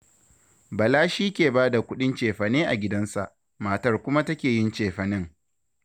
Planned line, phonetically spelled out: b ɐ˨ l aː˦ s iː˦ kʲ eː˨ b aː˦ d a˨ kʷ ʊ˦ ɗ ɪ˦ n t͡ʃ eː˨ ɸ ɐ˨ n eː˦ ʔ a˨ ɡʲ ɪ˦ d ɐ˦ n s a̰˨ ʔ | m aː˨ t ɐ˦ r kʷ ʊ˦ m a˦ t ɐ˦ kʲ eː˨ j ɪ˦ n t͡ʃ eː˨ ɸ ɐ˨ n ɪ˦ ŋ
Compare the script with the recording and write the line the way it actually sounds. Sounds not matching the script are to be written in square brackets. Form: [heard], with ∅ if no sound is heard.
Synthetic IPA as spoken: b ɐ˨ l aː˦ [ʃ] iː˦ kʲ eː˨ b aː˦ d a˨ kʷ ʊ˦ ɗ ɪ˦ n t͡ʃ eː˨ ɸ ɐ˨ n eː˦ ʔ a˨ ɡʲ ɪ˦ d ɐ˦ n s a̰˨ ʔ | m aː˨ t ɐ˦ r kʷ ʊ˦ m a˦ t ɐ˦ kʲ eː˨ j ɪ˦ n t͡ʃ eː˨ ɸ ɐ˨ n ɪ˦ ŋ

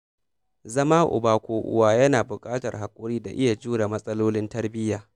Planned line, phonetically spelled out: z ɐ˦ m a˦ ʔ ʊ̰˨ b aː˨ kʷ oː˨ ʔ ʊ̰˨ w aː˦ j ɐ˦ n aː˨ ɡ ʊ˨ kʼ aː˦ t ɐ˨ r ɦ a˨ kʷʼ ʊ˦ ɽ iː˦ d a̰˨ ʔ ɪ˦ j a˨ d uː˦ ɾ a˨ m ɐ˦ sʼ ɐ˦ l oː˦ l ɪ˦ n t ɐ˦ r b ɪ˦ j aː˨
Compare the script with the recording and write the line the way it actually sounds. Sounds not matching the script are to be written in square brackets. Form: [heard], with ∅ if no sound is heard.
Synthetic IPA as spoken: z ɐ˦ m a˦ ʔ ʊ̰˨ b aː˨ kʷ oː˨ ʔ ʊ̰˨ w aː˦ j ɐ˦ n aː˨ [b] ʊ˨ kʼ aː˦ t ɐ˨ r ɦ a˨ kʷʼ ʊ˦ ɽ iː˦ d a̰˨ ʔ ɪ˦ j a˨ [d͡ʒ] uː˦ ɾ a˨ m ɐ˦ sʼ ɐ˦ l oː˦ l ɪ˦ n t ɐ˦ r b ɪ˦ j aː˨

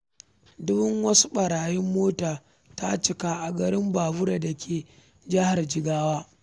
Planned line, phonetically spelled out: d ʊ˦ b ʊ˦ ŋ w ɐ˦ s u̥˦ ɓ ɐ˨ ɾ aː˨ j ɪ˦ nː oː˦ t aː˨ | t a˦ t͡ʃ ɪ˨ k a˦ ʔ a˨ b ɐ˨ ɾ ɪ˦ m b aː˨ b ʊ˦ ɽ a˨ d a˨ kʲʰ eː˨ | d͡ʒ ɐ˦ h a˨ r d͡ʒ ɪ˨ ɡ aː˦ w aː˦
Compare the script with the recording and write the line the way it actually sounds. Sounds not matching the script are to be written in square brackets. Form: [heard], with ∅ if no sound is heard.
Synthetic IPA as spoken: d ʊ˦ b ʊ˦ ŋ w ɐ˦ s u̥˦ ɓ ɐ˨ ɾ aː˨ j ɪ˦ [mː] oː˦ t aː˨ | t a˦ t͡ʃ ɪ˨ k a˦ ʔ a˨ [ɡ] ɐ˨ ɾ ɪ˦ m b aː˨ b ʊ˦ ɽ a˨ d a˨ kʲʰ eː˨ | d͡ʒ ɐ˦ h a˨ r d͡ʒ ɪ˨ ɡ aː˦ w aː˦

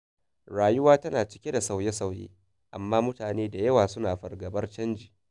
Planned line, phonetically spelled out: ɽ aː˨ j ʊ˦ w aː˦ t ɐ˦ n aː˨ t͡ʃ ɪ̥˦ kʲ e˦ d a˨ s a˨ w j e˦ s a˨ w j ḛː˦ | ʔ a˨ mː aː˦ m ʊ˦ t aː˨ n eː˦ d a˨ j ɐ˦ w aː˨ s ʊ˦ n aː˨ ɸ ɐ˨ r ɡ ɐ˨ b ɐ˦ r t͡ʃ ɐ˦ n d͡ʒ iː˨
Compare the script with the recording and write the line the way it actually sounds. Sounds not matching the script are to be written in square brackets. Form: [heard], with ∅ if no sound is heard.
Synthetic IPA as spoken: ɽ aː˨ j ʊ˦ w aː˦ t ɐ˦ n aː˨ t͡ʃ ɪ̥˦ kʲ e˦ d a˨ s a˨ w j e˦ s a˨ w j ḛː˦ | ʔ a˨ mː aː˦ m ʊ˦ t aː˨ n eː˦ d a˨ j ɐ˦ w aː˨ s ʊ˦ n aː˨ ɸ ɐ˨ r ɡ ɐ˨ b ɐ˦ r t͡ʃ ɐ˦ n d͡ʒ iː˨

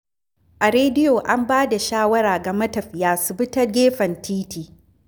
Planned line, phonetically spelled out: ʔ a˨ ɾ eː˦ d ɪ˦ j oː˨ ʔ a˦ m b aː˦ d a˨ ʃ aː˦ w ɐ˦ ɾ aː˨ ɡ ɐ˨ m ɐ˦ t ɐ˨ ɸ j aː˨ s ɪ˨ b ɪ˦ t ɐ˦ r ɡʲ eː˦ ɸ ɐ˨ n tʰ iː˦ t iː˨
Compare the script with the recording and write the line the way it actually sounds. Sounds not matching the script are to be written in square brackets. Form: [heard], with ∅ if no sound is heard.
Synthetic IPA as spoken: ʔ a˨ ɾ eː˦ d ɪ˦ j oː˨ ʔ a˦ m b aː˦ d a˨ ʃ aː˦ w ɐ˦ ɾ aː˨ ɡ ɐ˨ m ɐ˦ t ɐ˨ ɸ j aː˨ s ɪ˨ b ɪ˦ t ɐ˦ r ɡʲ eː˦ ɸ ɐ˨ n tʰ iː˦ t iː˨

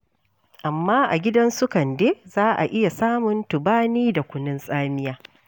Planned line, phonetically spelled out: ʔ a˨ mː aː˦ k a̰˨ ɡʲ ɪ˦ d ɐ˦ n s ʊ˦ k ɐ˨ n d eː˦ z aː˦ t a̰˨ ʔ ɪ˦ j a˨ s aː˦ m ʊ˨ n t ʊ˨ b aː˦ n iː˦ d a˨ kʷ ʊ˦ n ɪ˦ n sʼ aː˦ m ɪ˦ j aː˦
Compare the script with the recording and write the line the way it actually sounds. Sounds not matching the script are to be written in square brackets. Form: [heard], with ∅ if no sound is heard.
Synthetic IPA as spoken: ʔ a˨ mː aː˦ [ʔ] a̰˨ ɡʲ ɪ˦ d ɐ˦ n s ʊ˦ k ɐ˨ n d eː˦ z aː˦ [ʔ] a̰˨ ʔ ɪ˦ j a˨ s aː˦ m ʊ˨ n t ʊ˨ b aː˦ n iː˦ d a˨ kʷ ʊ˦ n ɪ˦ n sʼ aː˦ m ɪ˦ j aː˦

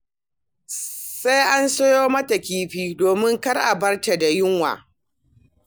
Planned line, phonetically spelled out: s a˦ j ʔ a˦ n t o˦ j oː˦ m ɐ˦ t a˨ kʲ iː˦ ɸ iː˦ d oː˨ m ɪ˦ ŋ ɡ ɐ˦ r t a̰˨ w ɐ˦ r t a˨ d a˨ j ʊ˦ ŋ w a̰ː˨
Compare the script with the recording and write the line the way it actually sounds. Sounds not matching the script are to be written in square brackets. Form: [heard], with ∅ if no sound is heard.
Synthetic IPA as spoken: s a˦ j ʔ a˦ n [s] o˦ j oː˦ m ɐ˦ t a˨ kʲ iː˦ ɸ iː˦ d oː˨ m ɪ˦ ŋ [k] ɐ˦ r [ʔ] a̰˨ [b] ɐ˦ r t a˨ d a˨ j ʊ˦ ŋ w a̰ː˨

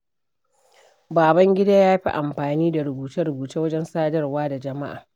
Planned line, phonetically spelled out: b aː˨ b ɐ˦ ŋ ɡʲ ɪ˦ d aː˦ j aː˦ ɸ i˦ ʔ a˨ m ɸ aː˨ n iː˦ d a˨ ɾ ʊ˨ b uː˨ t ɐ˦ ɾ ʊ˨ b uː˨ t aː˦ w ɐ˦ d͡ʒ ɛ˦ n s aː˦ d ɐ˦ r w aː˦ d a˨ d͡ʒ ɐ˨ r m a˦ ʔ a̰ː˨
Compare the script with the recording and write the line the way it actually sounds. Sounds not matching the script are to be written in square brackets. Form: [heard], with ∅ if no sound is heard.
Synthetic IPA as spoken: b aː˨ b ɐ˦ ŋ ɡʲ ɪ˦ d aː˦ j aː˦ ɸ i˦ ʔ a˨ m ɸ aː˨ n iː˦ d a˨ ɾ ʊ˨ b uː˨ t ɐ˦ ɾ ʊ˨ b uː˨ t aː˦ w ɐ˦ d͡ʒ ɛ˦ n s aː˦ d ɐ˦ r w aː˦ d a˨ d͡ʒ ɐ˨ [∅] m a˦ ʔ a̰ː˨

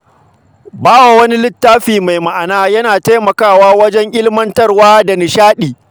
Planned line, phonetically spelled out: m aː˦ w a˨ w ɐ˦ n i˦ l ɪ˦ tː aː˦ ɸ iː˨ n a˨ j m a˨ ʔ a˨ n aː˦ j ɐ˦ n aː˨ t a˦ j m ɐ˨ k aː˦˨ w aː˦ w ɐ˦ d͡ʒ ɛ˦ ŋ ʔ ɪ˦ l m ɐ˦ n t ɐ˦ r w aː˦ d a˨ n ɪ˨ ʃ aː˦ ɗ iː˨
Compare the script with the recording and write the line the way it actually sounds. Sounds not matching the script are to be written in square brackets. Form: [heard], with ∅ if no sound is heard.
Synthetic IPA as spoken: [b] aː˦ w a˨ w ɐ˦ n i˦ l ɪ˦ tː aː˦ ɸ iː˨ [m] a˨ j m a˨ ʔ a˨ n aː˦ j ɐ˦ n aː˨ t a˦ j m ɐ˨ k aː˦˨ w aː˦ w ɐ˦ d͡ʒ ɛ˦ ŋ ʔ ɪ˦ l m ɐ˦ n t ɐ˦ r w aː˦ d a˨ n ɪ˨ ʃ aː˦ ɗ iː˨

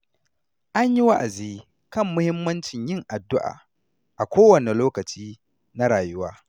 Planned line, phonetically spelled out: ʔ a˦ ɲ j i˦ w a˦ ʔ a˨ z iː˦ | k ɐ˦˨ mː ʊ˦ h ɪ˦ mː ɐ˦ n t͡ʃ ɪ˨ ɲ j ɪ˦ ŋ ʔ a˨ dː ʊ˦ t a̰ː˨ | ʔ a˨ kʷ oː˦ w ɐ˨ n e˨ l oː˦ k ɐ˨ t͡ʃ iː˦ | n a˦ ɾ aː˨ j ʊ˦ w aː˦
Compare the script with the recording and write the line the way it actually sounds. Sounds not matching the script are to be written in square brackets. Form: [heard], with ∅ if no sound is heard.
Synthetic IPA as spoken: ʔ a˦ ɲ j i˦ w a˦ ʔ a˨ z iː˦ | k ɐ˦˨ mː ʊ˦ h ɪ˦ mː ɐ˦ n t͡ʃ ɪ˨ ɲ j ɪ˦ ŋ ʔ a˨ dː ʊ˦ [ʔ] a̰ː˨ | ʔ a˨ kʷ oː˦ w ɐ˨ n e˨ l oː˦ k ɐ˨ t͡ʃ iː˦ | n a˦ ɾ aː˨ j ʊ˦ w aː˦

